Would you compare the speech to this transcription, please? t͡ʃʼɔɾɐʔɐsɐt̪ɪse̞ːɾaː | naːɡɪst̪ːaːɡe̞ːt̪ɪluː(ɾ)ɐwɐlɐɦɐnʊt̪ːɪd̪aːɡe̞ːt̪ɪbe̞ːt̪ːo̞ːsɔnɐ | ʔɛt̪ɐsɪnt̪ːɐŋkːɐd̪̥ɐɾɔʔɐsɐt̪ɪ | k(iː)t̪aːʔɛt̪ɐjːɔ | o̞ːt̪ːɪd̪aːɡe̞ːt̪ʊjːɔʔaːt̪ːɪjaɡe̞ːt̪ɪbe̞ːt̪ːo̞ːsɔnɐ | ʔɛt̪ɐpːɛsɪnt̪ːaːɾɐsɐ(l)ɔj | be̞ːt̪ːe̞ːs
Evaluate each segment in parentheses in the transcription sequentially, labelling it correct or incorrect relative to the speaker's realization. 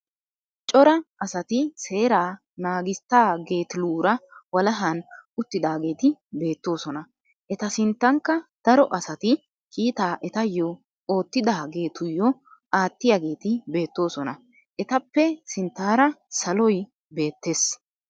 correct, correct, correct

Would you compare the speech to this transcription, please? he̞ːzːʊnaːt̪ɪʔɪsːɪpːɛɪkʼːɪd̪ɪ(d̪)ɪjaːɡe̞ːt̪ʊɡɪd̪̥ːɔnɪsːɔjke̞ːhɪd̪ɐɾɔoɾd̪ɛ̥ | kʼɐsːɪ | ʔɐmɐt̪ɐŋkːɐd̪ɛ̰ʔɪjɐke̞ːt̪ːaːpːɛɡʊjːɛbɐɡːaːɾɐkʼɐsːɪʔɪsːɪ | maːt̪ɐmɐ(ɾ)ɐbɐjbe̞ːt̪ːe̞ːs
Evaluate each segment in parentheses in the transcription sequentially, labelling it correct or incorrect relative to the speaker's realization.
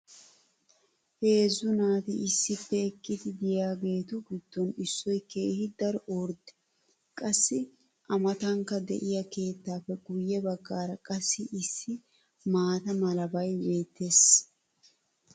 correct, incorrect: l

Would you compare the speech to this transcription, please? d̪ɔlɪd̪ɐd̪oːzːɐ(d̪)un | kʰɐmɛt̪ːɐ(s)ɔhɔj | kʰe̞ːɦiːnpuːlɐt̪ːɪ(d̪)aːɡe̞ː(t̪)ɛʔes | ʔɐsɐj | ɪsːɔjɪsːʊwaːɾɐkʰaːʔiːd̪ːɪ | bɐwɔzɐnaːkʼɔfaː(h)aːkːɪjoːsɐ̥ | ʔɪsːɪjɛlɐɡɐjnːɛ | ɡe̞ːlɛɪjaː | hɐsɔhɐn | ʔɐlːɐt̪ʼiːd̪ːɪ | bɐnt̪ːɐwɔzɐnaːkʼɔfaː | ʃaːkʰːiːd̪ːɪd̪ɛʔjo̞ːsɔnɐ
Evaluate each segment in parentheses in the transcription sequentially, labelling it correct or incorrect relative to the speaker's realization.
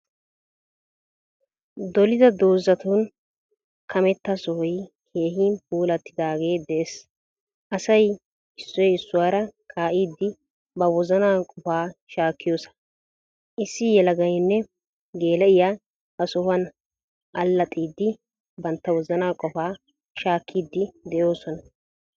incorrect: t̪, correct, correct, incorrect: d̪, incorrect: ʃ

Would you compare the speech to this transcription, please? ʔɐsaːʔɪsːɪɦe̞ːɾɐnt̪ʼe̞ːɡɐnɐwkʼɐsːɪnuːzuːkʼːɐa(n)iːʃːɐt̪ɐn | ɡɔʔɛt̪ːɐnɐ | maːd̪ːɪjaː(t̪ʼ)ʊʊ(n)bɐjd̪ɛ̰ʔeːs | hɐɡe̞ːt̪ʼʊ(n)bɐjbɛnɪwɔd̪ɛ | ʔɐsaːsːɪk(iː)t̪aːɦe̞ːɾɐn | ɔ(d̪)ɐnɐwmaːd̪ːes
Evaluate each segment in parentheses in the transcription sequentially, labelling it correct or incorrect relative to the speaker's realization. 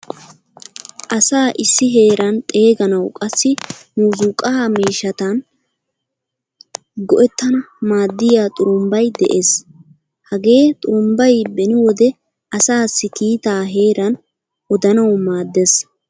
incorrect: m, correct, incorrect: m, incorrect: m, correct, correct

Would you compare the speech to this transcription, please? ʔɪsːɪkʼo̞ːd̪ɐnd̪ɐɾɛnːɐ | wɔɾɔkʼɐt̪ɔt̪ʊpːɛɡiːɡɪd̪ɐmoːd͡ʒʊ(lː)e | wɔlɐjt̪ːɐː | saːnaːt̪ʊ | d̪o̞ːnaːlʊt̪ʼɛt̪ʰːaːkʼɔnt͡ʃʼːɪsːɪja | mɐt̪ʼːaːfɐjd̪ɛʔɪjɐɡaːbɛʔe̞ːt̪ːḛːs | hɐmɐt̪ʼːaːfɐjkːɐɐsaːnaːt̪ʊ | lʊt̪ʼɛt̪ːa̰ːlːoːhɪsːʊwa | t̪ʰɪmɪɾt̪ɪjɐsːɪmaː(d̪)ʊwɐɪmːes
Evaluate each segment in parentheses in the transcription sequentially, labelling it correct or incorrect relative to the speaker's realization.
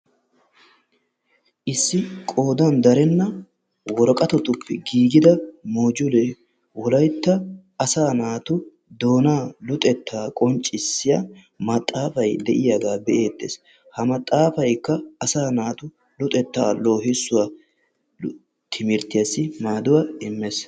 incorrect: l, correct

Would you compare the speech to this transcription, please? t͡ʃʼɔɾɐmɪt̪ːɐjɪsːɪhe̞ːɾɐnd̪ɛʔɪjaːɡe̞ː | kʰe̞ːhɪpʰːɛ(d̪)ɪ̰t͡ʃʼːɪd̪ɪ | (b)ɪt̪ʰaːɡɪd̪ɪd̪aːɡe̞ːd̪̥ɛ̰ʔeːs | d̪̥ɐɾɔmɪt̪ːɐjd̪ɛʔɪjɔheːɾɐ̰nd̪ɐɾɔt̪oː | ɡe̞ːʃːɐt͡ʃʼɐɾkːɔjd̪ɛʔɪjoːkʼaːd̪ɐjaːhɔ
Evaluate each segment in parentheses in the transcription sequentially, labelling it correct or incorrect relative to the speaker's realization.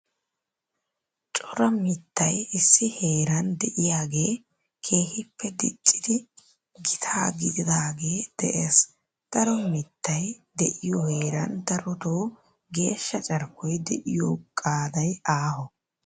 correct, incorrect: ɡ

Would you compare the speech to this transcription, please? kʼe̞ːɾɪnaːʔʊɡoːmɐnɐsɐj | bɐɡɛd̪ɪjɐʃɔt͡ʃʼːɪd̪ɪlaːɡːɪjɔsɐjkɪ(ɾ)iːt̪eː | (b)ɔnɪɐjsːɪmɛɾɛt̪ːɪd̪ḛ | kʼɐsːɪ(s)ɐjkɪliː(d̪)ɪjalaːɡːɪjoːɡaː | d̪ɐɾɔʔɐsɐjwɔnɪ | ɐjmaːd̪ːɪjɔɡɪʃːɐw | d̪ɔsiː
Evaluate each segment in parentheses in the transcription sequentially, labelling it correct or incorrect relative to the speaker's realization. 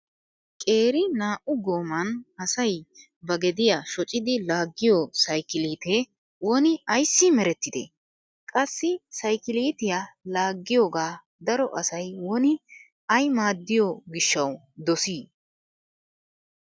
incorrect: l, incorrect: w, correct, incorrect: t̪

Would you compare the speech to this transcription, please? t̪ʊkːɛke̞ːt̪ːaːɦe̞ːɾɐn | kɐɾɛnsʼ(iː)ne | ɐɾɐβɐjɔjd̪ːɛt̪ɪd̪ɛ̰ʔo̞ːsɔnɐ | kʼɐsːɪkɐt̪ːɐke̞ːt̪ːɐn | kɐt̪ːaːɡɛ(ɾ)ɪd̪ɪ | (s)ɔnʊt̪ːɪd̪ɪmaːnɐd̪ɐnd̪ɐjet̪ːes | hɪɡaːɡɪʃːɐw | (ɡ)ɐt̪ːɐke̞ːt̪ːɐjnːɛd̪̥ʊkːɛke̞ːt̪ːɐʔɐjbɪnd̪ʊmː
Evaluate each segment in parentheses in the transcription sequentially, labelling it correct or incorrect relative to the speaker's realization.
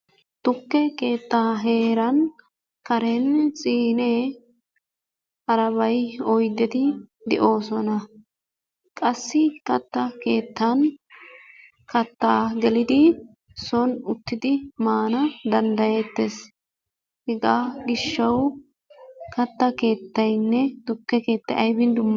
correct, incorrect: l, correct, incorrect: k

